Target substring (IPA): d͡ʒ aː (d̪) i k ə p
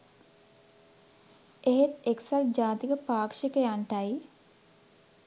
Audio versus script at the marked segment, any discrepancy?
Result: yes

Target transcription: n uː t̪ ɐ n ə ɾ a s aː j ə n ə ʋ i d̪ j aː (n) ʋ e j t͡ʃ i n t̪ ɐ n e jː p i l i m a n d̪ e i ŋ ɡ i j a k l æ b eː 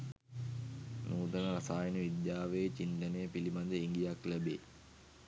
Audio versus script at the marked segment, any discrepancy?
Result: yes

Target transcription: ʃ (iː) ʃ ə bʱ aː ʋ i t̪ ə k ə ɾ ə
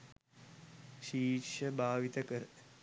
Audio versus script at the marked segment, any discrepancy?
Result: no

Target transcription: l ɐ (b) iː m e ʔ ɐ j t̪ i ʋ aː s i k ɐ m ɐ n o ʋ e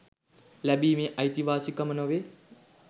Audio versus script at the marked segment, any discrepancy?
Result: no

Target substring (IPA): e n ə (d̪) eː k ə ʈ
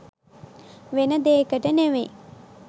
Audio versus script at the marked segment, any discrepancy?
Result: no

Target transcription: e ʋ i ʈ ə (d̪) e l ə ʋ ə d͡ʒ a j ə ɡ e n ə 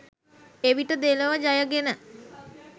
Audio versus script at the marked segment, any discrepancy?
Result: no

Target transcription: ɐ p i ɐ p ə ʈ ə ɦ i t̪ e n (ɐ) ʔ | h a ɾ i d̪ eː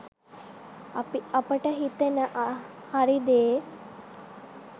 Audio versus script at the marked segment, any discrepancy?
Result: yes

